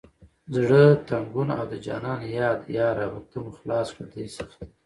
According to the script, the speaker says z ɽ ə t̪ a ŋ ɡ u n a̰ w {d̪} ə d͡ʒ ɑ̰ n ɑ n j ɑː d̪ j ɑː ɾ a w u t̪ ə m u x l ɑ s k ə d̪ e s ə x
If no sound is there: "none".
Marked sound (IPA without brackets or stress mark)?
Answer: d̪